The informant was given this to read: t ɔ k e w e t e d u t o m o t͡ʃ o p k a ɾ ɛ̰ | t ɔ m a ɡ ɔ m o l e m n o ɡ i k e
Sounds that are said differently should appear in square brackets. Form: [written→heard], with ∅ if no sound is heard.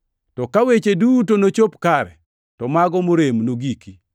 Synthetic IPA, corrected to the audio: t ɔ k [e→a] w e [t→t͡ʃ] e d u t o [m→n] o t͡ʃ o p k a ɾ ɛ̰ | t ɔ m a ɡ ɔ m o [l→ɾ] e m n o ɡ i k [e→i]